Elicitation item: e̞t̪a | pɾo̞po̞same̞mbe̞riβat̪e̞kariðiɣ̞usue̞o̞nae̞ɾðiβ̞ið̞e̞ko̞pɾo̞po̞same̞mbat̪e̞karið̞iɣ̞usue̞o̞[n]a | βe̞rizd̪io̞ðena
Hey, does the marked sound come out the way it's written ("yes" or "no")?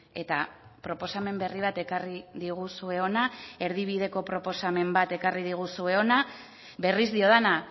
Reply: yes